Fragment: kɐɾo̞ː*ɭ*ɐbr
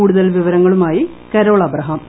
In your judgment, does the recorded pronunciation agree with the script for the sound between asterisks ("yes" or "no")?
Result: yes